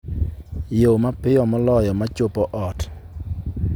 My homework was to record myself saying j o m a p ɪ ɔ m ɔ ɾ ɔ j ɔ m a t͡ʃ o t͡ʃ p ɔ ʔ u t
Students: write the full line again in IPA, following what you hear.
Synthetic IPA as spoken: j o m a p ɪ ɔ m ɔ l ɔ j ɔ m a t͡ʃ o p ɔ ʔ ɔ t